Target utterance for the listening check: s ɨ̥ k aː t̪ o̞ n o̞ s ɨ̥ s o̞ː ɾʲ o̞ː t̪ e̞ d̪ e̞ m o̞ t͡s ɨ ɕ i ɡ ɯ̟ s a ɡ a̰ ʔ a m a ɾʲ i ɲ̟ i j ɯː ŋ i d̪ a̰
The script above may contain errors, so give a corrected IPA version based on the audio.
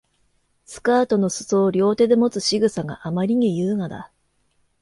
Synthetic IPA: s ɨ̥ k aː t̪ o̞ n o̞ s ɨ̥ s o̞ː ɾʲ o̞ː t̪ e̞ d̪ e̞ m o̞ t͡s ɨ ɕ i ɡ ɯ̟ s a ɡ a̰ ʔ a m a ɾʲ i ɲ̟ i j ɯː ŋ a d̪ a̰